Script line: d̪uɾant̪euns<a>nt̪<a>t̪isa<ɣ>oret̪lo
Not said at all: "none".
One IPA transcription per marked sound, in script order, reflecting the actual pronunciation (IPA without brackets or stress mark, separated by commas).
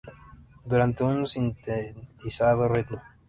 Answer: i, e, ð